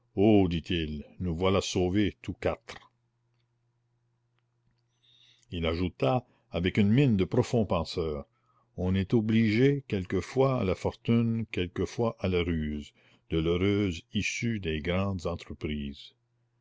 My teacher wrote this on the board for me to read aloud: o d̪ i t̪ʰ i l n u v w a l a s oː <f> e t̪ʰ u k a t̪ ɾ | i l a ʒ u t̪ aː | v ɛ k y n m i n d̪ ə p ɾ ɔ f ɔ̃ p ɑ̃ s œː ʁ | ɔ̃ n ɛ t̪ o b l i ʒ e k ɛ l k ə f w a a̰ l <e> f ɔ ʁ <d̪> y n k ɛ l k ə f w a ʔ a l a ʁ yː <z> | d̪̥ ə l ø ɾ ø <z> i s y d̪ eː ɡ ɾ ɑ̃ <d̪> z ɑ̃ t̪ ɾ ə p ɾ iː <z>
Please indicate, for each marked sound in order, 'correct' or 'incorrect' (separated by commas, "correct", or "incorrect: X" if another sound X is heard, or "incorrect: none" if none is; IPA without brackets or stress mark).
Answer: incorrect: v, incorrect: a, incorrect: t̪, correct, correct, correct, correct